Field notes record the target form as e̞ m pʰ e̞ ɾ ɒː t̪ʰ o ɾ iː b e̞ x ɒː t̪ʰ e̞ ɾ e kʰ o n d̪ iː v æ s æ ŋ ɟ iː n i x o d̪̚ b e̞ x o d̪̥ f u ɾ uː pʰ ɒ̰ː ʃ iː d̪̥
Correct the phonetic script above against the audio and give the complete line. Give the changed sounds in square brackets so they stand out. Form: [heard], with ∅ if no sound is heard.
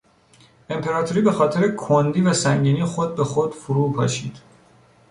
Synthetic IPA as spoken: e̞ m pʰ e̞ ɾ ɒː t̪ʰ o ɾ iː b e̞ x ɒː t̪ʰ e̞ ɾ e kʰ o n d̪ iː v æ s æ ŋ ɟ iː n i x o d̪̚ b e̞ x o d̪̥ f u ɾ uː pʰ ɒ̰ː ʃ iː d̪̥